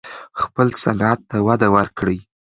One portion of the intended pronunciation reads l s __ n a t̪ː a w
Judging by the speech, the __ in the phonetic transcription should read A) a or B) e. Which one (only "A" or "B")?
A